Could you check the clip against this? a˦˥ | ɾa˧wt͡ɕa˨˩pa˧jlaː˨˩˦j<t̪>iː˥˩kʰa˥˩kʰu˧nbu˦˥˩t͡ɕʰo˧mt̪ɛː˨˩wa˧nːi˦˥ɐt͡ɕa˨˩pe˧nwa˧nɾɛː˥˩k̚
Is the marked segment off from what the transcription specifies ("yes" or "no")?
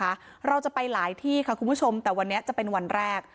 yes